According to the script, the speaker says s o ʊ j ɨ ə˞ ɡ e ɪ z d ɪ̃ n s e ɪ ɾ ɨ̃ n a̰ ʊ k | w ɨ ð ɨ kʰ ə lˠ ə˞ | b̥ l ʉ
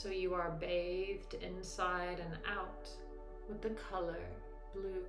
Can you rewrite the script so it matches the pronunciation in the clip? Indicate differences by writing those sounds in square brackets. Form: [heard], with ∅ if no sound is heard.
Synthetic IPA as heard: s o ʊ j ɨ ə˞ [b] e ɪ [ð] d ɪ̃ n s [a] ɪ ɾ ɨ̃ n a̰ ʊ [t] | w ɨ ð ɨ kʰ [ʌ] lˠ ə˞ | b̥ l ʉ